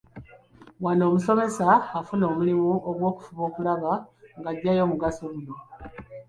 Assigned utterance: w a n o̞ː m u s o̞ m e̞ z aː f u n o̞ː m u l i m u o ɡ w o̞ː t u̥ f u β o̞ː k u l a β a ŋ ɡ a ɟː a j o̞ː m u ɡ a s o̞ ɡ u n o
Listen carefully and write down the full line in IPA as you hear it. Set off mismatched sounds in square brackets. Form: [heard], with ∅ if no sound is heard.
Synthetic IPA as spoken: w a n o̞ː m u s o̞ m e̞ [s] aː f u n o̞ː m u l i m u o ɡ w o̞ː [k] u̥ f u β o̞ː k u l a β a ŋ ɡ a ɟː a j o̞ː m u ɡ a s o̞ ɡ u n o